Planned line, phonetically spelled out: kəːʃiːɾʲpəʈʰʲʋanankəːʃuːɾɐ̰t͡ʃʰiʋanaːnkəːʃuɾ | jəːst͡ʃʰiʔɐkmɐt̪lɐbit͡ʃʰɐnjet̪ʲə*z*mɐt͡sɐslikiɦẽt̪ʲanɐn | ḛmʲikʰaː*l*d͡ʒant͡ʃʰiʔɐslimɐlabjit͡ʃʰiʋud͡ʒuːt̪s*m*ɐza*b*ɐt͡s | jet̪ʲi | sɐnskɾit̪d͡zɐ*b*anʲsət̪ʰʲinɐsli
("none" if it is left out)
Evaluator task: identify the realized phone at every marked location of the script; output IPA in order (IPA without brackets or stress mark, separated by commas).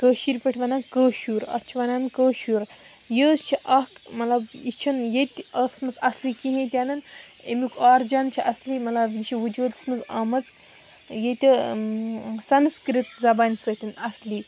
s, ɾ, m, m, b